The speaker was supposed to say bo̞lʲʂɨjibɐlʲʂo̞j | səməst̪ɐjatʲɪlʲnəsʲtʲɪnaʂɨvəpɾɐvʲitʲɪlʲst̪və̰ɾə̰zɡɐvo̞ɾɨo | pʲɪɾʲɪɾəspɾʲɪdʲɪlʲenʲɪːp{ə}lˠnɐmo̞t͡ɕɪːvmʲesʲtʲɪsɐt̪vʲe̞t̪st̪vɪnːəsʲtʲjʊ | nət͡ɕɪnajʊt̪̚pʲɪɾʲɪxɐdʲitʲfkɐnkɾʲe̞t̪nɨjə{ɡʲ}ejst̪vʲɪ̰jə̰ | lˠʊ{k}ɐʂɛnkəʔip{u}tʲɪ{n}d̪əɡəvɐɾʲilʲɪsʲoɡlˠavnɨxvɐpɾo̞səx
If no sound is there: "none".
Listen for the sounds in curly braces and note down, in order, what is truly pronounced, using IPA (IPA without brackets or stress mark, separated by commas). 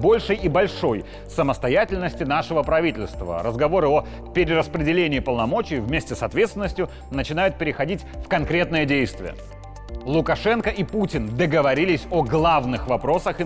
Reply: ə, dʲ, k, u, n